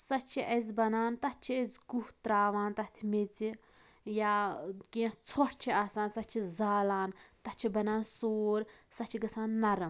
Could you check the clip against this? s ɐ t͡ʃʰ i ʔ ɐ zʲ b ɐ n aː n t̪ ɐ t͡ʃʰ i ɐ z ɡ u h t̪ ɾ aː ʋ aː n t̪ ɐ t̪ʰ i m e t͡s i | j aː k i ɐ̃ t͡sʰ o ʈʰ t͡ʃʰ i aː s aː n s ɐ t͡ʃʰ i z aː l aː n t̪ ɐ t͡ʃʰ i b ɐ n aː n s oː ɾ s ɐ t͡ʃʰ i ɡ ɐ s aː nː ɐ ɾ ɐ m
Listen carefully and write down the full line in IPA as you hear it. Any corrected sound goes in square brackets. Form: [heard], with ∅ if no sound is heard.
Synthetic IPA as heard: s ɐ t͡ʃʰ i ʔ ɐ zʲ b ɐ n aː n t̪ ɐ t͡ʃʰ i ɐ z ɡ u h t̪ ɾ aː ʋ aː n t̪ ɐ t̪ʰ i m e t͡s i | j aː k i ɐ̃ t͡sʰ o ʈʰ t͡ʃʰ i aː s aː n s ɐ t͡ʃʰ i z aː l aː n t̪ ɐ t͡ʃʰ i b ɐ n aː n s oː ɾ s ɐ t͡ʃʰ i ɡ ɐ s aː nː ɐ ɾ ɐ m